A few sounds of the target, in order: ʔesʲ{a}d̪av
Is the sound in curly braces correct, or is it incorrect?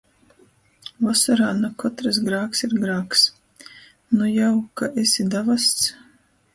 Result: incorrect